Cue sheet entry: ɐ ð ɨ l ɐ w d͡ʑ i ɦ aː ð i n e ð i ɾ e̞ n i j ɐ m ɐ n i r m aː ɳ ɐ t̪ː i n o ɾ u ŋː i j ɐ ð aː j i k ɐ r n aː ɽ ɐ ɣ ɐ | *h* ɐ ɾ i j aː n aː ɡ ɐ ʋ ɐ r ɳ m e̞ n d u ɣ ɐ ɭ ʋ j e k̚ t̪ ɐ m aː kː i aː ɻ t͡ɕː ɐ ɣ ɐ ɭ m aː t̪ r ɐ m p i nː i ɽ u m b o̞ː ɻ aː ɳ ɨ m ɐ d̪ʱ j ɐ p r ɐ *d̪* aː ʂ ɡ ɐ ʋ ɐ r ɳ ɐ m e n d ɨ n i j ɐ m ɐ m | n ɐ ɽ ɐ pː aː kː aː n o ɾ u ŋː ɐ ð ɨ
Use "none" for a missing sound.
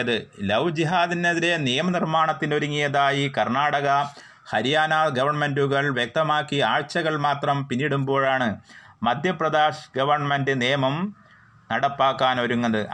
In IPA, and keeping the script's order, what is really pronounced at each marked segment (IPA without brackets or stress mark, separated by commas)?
h, d̪